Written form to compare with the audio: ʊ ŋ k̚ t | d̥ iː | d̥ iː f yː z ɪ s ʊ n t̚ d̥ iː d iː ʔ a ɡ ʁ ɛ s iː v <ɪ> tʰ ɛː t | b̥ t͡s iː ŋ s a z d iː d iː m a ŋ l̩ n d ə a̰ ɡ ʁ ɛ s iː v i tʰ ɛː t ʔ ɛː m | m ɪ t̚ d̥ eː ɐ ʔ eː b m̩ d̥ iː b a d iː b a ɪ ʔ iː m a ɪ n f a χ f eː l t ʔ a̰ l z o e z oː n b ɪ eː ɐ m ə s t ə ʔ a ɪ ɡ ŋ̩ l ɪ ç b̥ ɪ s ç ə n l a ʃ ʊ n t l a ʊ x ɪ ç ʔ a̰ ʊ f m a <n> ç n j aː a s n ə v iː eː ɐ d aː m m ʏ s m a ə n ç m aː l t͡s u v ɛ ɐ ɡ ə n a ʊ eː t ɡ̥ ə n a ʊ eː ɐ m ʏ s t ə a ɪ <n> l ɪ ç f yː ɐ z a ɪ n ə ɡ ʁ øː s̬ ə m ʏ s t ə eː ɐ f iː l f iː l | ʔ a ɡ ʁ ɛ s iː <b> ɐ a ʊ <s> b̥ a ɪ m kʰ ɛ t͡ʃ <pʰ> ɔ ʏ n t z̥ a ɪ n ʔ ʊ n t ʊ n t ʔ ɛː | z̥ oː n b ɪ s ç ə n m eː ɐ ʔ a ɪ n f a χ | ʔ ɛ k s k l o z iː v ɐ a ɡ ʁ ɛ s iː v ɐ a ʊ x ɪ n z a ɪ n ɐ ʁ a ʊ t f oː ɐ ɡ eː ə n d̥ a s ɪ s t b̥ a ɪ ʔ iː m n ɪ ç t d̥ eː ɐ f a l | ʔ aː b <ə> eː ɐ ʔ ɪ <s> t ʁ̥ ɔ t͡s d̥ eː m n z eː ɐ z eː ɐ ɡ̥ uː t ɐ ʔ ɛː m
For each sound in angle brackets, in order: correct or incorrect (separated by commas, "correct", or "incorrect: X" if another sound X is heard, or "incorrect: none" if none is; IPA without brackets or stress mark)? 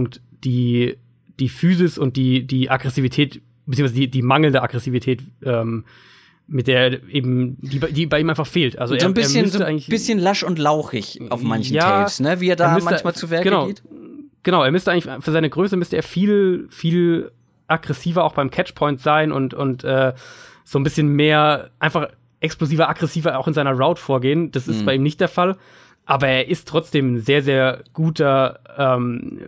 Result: incorrect: i, correct, incorrect: ŋ, incorrect: v, incorrect: x, correct, incorrect: ɐ, correct